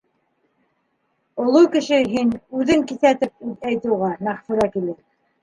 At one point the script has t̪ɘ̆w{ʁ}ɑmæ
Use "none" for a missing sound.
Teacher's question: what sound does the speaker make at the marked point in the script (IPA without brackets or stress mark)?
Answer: ʁ